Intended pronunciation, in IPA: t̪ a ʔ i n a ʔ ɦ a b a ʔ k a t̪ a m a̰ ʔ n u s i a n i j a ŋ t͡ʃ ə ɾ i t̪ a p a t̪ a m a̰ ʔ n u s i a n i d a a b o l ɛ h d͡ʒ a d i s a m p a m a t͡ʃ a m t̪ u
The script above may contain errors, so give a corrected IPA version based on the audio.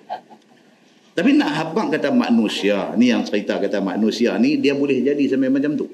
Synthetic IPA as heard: t̪ a p i n a ʔ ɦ a b a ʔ k a t̪ a m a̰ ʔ n u s i a n i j a ŋ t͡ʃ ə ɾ i t̪ a k a t̪ a m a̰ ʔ n u s i a n i d i a b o l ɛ h d͡ʒ a d i s a m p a m a t͡ʃ a m t̪ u